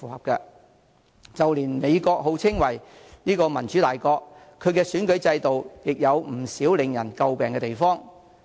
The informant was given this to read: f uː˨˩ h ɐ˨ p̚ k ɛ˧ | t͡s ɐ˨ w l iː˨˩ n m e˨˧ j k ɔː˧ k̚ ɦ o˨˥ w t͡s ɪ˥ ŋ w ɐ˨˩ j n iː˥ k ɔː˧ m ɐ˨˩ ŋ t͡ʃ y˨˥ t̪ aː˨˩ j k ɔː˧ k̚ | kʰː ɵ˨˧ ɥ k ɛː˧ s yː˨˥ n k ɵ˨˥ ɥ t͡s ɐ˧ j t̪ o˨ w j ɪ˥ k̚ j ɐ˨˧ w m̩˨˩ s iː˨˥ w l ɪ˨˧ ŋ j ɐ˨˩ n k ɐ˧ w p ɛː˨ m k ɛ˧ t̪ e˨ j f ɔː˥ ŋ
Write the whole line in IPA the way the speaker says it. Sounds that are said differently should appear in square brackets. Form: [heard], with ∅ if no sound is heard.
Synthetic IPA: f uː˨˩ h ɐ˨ p̚ k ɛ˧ | t͡s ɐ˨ w l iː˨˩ n m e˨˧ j k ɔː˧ k̚ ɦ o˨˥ w [t͡sʰ] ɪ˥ ŋ w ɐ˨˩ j n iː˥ k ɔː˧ m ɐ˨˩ [n] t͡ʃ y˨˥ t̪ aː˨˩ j k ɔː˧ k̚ | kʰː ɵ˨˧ ɥ k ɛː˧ s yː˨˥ n k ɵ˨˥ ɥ t͡s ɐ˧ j t̪ o˨ w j [ɪ˨] k̚ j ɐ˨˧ w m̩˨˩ s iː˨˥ w l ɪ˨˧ ŋ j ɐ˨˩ n k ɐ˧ w p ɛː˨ [ŋ] k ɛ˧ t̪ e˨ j f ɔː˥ ŋ

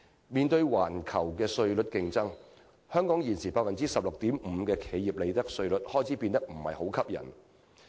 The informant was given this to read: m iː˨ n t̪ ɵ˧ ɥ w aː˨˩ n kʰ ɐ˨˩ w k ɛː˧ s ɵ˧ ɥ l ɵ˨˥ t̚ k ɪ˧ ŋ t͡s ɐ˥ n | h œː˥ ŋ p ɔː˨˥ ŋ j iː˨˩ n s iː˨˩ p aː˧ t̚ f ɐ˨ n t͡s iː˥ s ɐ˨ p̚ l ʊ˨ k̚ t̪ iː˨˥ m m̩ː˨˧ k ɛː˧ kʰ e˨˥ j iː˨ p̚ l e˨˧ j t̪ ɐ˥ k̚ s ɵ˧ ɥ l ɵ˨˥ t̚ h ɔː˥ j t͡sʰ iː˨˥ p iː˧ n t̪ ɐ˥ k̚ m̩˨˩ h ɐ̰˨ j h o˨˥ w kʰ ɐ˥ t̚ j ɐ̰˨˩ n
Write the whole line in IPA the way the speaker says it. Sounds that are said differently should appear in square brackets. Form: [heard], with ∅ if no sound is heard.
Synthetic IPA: m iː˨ n t̪ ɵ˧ ɥ w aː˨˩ n kʰ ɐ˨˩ w k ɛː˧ s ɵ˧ ɥ l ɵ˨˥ t̚ k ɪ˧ ŋ t͡s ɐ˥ [ŋ] | h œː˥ ŋ [k] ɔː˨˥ ŋ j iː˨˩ n s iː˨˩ p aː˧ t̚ f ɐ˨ n t͡s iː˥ s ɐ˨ p̚ l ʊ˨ k̚ t̪ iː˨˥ m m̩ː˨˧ k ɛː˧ kʰ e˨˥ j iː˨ p̚ l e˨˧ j t̪ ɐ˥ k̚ s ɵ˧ ɥ l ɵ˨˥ t̚ h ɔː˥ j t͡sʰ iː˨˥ p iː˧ n t̪ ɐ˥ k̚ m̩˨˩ h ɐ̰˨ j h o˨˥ w kʰ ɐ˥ [p̚] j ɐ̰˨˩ n

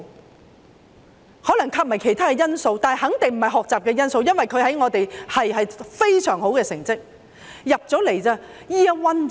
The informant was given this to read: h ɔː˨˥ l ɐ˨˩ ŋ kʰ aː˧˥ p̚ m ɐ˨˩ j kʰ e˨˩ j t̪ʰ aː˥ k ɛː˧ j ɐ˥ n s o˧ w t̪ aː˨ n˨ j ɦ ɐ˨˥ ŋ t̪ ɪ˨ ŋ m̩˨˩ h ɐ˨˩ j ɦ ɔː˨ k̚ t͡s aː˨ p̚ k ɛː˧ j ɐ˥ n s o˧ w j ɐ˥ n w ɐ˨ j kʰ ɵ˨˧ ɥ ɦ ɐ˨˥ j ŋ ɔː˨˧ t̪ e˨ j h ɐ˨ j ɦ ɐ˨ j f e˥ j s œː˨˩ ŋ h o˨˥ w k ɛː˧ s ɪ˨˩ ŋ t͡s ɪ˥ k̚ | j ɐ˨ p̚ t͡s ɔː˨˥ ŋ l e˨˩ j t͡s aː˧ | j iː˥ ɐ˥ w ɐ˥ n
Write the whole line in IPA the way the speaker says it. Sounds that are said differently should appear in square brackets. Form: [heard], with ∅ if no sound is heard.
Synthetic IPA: h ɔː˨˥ l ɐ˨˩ ŋ kʰ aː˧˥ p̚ m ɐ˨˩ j kʰ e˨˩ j t̪ʰ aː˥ k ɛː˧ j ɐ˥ n s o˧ w t̪ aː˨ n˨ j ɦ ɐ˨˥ ŋ t̪ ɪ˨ ŋ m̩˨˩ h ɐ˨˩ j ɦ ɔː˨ k̚ t͡s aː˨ p̚ k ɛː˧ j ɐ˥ n s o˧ w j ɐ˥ n w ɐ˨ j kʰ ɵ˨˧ ɥ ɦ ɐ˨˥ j ŋ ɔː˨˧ t̪ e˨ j h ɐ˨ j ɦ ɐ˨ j f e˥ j s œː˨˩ ŋ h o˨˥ w k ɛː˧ s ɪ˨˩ ŋ t͡s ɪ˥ k̚ | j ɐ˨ p̚ t͡s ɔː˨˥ [∅] l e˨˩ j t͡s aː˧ | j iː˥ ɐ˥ w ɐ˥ n

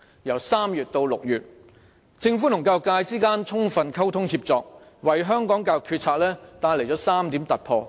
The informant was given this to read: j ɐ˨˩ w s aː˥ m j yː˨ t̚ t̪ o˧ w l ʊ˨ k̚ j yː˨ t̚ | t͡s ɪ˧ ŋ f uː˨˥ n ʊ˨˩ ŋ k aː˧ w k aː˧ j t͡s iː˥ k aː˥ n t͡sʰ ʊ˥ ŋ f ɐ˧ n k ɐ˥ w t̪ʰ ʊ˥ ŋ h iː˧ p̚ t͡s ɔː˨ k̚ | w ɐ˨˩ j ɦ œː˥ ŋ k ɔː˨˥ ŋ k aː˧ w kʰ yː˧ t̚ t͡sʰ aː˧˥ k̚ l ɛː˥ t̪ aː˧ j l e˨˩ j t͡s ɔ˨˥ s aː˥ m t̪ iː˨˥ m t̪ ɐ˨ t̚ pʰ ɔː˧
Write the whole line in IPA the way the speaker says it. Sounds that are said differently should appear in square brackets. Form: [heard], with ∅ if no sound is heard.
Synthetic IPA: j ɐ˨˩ w s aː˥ m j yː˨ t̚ t̪ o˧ w l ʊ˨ k̚ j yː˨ t̚ | t͡s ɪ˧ ŋ f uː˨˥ n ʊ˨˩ ŋ k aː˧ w k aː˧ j t͡s iː˥ k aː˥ n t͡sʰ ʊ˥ ŋ f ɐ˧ n [kʰ] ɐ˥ w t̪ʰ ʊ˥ ŋ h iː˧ p̚ t͡s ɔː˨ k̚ | w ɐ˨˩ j ɦ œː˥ ŋ k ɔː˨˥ ŋ k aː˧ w kʰ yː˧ t̚ t͡sʰ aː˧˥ k̚ l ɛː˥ t̪ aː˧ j l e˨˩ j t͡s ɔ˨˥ s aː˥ m t̪ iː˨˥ m t̪ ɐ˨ t̚ pʰ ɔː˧

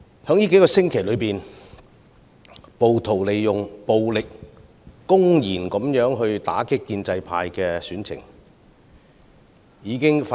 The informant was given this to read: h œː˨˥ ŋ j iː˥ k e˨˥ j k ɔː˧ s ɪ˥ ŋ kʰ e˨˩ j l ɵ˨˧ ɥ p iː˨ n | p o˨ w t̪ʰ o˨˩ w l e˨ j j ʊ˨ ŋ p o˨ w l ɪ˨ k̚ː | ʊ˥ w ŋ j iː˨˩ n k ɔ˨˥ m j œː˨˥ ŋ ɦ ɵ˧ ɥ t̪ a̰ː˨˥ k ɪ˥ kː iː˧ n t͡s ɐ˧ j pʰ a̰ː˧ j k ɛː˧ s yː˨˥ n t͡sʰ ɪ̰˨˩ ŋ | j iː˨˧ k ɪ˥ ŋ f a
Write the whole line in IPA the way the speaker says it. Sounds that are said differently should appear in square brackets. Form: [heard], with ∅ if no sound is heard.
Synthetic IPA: h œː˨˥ ŋ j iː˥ k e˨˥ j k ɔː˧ s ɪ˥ ŋ kʰ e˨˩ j l ɵ˨˧ ɥ p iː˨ n | p o˨ w t̪ʰ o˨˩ w l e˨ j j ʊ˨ ŋ p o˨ w l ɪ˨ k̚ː | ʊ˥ [∅] ŋ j iː˨˩ n k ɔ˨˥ m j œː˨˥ ŋ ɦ ɵ˧ ɥ t̪ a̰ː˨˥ k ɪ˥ kː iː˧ n t͡s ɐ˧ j pʰ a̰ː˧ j k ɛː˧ s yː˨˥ n t͡sʰ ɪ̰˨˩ ŋ | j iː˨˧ k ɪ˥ ŋ f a

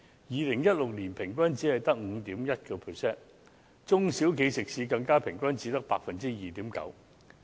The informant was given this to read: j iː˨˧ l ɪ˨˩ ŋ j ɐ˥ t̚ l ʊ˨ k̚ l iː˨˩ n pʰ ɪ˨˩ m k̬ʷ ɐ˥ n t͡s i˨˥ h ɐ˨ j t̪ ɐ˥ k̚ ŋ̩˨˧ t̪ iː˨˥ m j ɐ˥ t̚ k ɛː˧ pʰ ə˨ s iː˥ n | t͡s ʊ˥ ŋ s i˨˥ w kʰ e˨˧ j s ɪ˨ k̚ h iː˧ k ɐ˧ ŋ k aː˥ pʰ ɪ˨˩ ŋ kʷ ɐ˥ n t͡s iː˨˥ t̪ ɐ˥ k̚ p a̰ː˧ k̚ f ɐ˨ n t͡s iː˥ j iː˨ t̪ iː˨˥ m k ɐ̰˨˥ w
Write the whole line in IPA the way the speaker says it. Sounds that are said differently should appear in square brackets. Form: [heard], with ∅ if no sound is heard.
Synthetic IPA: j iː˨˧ l ɪ˨˩ ŋ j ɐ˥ t̚ l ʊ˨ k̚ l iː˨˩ n pʰ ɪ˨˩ [ŋ] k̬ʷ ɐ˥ n t͡s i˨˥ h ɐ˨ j t̪ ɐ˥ k̚ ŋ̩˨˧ t̪ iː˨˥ m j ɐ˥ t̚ k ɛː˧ pʰ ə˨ s [ɛː˥] n | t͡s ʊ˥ ŋ s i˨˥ w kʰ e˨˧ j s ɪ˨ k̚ [s] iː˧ k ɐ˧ ŋ k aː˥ pʰ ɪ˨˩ ŋ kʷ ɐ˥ n t͡s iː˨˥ t̪ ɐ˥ k̚ p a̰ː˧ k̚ f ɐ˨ n t͡s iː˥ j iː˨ t̪ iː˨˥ m k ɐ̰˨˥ w

